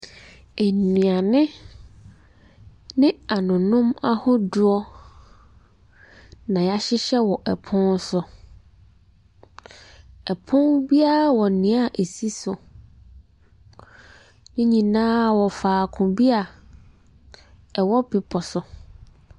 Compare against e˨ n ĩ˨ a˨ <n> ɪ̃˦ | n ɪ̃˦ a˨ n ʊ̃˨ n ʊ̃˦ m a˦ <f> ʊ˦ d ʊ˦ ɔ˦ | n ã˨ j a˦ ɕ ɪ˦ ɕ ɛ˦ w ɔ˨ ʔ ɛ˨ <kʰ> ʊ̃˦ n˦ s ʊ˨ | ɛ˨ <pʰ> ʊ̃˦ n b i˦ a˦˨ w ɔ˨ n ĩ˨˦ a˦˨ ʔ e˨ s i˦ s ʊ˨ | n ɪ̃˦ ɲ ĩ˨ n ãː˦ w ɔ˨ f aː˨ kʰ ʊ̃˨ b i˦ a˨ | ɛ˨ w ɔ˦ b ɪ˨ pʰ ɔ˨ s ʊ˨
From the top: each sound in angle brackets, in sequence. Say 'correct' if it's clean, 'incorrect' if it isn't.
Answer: correct, incorrect: h, incorrect: pʰ, correct

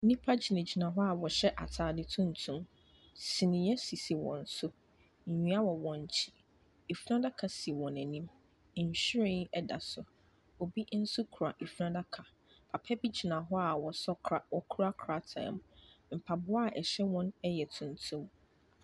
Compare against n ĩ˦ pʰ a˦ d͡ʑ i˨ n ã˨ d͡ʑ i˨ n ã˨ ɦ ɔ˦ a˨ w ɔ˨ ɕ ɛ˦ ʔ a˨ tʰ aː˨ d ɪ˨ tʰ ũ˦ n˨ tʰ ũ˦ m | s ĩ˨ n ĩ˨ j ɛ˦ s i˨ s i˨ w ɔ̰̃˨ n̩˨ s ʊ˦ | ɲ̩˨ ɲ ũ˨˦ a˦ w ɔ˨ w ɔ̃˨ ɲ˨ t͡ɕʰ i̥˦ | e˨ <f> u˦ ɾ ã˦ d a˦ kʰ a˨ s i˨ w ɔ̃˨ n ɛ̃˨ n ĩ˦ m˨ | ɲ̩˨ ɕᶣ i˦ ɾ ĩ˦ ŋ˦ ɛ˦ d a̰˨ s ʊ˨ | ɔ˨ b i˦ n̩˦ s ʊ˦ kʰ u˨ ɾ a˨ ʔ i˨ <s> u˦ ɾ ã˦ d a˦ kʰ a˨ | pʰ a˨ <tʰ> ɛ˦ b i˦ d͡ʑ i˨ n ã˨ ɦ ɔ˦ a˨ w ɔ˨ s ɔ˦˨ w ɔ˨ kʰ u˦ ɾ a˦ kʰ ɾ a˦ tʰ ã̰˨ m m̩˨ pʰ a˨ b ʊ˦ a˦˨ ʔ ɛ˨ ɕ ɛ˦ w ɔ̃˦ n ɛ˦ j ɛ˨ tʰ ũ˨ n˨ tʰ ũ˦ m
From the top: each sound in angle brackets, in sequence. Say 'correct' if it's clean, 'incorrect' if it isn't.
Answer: correct, incorrect: f, incorrect: pʰ

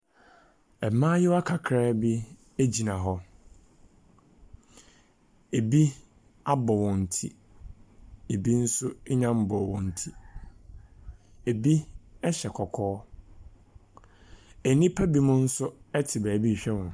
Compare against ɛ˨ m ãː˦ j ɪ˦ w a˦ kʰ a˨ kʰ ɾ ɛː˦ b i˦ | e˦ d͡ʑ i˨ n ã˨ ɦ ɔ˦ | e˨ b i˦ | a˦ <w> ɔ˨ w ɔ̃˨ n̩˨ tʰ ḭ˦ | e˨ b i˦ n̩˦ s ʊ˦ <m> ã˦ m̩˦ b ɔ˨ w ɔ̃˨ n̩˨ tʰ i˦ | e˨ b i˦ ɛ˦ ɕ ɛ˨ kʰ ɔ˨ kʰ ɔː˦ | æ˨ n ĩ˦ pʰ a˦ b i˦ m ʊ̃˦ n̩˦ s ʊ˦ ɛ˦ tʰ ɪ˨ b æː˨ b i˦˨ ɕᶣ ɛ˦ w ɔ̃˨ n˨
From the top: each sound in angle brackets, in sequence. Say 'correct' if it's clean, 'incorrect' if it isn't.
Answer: incorrect: b, incorrect: ɲ

